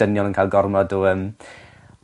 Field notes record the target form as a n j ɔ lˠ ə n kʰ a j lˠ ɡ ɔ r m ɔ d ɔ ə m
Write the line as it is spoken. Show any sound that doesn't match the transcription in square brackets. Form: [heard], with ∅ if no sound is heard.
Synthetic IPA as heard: [ə] n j ɔ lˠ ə n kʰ a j lˠ ɡ ɔ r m ɔ d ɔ ə m